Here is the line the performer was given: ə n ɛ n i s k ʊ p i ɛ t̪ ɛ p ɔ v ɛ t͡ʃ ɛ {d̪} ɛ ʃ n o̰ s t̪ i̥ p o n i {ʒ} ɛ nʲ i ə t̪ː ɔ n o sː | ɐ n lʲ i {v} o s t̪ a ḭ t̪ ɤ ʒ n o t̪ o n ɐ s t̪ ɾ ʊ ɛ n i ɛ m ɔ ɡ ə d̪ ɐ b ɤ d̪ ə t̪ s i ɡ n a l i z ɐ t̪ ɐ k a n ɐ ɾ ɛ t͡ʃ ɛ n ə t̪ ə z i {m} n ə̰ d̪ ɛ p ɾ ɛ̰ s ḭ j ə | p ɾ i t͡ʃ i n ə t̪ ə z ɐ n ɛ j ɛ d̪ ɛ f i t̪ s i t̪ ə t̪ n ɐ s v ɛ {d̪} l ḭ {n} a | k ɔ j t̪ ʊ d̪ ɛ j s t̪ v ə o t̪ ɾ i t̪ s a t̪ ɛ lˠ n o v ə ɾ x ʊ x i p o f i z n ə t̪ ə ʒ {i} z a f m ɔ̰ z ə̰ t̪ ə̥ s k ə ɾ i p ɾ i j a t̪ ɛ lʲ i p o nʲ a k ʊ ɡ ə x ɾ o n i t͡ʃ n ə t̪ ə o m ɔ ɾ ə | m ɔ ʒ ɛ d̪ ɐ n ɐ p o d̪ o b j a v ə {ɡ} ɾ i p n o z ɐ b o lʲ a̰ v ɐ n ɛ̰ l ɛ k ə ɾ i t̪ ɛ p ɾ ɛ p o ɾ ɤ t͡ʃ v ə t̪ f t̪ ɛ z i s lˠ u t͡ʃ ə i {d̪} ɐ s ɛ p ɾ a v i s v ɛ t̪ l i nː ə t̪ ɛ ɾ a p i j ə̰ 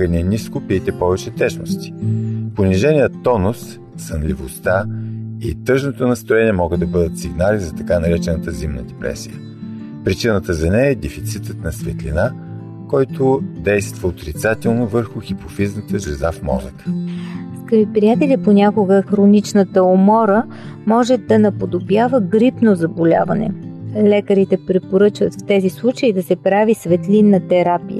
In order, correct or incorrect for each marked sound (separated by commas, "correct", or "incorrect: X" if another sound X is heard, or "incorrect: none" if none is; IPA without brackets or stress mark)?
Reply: incorrect: t̪, correct, correct, correct, incorrect: t̪, correct, incorrect: ɛ, correct, correct